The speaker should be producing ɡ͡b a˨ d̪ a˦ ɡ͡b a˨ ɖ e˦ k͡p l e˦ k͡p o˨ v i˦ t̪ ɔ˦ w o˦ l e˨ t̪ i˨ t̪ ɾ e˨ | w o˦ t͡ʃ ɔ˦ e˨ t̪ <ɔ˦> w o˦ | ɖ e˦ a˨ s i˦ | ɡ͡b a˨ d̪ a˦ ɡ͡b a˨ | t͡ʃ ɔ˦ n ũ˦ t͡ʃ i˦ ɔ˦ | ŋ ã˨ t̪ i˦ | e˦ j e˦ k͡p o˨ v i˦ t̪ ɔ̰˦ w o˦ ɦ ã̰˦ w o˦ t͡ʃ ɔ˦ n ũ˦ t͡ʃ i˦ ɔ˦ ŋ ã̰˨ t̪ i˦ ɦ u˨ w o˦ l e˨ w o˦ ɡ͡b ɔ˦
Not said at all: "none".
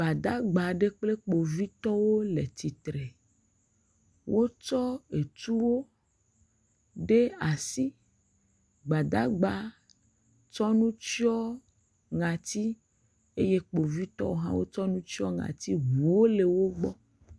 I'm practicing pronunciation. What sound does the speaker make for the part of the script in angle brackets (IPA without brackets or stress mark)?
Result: u˦